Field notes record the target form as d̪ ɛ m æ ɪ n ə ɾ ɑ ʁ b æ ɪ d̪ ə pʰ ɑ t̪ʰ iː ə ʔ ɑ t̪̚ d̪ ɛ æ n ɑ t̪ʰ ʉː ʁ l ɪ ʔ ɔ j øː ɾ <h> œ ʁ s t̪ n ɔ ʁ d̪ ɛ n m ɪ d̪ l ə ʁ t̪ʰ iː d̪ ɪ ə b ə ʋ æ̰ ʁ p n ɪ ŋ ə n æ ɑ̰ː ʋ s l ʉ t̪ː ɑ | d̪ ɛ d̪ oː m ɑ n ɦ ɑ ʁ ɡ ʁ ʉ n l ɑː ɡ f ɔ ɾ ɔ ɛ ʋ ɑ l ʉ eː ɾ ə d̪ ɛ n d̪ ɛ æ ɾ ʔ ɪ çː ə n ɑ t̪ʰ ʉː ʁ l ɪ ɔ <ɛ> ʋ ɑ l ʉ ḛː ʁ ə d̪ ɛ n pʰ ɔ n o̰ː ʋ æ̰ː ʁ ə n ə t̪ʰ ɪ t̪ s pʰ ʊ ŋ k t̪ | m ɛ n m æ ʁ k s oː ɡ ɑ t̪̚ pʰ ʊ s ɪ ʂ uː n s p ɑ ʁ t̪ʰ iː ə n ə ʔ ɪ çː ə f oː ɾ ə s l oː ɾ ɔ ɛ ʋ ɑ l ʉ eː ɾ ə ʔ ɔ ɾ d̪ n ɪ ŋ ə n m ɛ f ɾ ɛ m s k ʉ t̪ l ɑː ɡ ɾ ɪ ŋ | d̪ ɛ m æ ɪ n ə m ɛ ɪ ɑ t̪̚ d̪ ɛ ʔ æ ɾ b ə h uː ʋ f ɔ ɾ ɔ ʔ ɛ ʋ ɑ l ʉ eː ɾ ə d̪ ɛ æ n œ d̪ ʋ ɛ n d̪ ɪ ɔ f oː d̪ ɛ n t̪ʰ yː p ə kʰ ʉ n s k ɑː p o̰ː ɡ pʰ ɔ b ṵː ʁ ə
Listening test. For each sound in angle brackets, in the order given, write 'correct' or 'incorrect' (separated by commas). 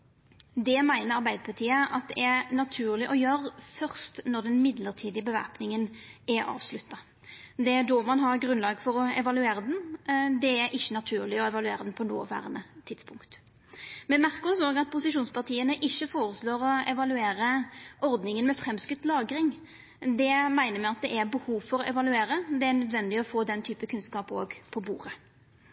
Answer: incorrect, correct